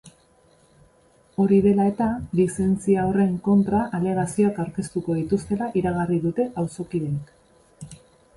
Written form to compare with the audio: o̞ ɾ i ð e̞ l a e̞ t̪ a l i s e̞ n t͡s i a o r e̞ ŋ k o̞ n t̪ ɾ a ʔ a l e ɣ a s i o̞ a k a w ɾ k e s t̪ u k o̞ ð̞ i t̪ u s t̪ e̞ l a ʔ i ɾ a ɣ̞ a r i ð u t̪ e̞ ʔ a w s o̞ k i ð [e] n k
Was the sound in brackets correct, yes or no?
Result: yes